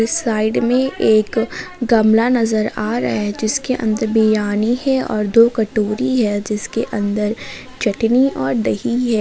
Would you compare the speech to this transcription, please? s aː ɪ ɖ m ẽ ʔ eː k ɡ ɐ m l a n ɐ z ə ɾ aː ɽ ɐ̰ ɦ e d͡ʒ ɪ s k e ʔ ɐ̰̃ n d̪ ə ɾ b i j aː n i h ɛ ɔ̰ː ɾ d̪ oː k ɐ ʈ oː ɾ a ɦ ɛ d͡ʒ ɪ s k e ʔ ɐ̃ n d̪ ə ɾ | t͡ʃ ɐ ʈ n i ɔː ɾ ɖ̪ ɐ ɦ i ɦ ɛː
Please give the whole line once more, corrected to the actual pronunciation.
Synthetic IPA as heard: s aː ɪ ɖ m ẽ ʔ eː k ɡ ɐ m l a n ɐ z ə ɾ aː ɾ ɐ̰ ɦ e d͡ʒ ɪ s k e ʔ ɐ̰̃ n d̪ ə ɾ b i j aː n i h ɛ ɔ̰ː ɾ d̪ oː k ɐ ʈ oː ɾ i ɦ ɛ d͡ʒ ɪ s k e ʔ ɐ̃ n d̪ ə ɾ | t͡ʃ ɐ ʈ n i ɔː ɾ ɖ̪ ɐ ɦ i ɦ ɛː